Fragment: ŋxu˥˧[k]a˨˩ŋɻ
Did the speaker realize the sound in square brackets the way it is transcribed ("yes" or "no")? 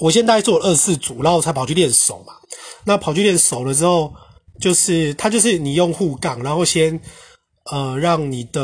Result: yes